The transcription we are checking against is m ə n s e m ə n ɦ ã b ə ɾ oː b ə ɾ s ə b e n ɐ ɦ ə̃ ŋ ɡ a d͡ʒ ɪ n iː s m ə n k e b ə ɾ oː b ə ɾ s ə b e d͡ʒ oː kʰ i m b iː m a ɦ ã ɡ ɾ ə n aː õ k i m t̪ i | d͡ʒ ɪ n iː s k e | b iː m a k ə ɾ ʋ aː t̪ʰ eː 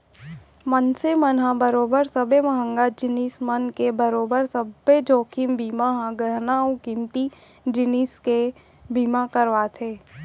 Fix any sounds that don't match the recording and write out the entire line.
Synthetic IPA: m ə n s e m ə n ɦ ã b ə ɾ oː b ə ɾ s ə b e m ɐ ɦ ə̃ ŋ ɡ a d͡ʒ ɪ n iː s m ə n k e b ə ɾ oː b ə ɾ s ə b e d͡ʒ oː kʰ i m b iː m a ɦ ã ɡ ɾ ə n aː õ k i m t̪ i | d͡ʒ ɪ n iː s k e | b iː m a k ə ɾ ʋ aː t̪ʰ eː